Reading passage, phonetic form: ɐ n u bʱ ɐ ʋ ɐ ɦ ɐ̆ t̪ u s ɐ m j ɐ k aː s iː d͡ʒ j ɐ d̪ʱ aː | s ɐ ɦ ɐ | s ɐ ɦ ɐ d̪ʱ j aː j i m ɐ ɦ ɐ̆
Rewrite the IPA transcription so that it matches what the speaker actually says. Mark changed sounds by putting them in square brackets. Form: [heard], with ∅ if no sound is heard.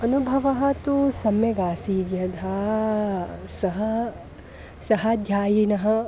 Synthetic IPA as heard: ɐ n u bʱ ɐ ʋ ɐ ɦ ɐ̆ t̪ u s ɐ m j ɐ [ɡ] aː s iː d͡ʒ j ɐ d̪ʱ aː | s ɐ ɦ ɐ | s ɐ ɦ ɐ d̪ʱ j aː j i [n] ɐ ɦ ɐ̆